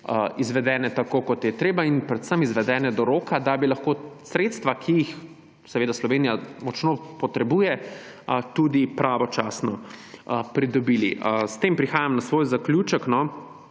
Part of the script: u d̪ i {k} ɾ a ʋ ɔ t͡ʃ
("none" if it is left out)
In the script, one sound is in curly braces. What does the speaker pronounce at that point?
p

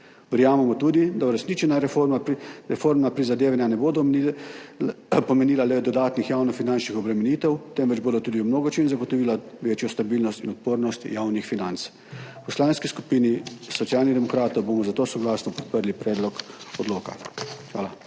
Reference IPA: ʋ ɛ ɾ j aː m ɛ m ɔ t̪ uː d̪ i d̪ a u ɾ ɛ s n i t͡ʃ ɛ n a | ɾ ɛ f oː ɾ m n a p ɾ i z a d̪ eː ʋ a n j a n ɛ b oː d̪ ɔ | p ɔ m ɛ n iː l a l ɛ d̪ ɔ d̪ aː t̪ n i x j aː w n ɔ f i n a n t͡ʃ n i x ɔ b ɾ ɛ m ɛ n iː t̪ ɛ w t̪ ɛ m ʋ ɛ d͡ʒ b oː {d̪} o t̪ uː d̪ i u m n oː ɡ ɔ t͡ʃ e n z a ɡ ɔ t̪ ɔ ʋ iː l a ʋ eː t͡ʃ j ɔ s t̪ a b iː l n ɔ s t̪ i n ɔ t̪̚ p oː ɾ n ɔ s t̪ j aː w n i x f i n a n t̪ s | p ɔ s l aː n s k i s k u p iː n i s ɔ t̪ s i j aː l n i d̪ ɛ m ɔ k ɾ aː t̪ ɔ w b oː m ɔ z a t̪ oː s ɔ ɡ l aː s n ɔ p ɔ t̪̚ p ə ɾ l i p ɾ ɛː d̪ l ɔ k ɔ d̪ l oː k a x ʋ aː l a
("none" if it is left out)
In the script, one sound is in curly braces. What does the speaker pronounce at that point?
d̪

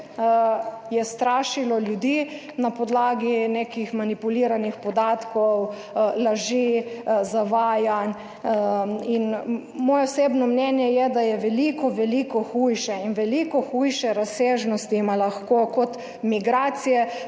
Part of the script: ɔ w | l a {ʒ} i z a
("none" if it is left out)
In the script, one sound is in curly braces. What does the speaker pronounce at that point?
ʒ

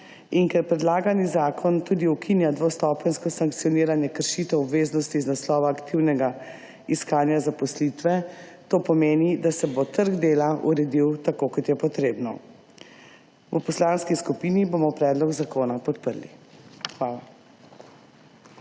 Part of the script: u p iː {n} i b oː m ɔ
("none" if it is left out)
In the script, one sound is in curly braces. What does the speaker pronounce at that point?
n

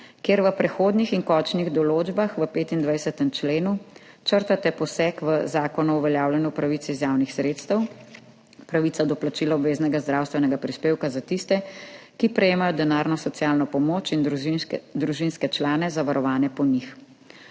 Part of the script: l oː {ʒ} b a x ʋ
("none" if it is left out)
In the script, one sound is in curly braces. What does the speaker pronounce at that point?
d͡ʒ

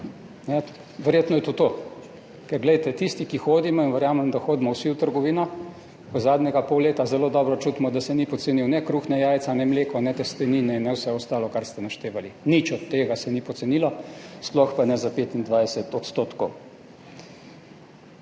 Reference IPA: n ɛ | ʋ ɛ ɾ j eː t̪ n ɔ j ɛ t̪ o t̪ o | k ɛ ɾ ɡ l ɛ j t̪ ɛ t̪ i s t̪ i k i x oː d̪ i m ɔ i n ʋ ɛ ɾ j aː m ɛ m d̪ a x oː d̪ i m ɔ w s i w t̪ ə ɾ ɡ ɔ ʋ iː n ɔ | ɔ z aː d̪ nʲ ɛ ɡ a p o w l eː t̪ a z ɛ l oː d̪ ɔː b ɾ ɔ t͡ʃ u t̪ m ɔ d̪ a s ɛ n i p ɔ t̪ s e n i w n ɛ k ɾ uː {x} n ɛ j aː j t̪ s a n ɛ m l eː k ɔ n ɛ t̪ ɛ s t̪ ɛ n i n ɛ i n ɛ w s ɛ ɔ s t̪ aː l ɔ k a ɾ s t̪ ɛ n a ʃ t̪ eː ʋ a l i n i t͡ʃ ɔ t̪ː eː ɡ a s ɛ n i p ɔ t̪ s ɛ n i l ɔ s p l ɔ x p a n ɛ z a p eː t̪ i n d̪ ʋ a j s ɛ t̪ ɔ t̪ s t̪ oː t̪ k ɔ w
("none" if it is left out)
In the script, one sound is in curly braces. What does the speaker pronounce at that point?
x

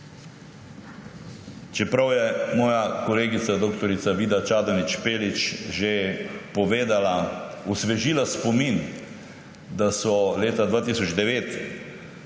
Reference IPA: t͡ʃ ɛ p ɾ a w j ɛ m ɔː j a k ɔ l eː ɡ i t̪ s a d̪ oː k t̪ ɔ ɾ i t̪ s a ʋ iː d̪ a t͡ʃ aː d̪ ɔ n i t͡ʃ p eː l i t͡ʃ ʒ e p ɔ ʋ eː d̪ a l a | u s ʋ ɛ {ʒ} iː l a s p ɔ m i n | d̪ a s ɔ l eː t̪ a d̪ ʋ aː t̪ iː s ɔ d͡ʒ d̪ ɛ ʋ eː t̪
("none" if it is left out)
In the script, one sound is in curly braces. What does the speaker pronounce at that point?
ʒ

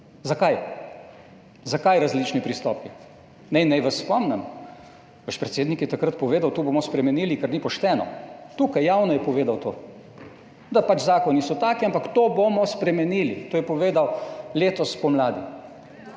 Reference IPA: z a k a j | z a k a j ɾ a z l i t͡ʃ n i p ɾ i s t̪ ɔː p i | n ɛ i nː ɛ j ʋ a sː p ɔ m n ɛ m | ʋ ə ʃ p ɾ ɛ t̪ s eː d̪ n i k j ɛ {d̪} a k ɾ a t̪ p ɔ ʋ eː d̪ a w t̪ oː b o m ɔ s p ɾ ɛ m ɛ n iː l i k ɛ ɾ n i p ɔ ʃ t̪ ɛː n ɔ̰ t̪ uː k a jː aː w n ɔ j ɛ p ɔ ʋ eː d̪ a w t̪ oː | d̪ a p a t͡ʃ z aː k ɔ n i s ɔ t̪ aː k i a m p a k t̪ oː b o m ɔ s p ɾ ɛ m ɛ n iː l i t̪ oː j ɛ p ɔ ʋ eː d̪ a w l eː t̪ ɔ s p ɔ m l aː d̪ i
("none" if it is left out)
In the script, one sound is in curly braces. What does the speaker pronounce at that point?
t̪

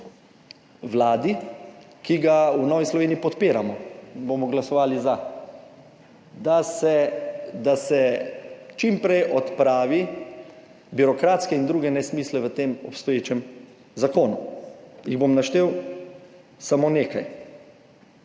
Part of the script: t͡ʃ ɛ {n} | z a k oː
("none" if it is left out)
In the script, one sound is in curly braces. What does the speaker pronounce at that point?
m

